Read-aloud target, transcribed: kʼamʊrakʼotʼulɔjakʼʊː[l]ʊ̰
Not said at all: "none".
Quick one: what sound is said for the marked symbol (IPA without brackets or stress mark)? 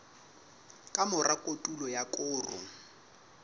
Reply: r